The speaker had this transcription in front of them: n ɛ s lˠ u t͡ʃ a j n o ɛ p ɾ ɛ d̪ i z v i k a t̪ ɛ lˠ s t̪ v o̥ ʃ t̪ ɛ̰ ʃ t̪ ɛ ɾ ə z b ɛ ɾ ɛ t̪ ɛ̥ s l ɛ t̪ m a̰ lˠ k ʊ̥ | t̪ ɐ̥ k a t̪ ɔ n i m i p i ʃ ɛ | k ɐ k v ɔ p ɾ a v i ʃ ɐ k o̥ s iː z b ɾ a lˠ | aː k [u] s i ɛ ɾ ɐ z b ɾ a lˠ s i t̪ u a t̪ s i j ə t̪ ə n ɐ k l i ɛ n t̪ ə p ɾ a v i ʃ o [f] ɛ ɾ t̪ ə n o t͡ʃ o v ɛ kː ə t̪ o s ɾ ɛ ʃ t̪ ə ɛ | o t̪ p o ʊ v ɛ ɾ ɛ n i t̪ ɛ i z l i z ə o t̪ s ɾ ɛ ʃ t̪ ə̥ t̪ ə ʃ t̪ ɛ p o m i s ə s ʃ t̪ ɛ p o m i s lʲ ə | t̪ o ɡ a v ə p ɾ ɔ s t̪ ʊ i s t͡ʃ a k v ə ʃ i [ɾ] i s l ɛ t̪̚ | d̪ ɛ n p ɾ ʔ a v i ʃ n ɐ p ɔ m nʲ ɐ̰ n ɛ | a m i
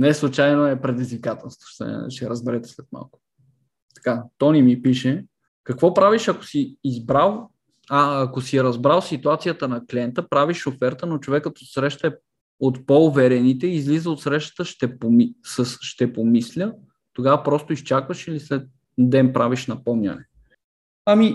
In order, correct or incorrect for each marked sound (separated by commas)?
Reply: incorrect, correct, incorrect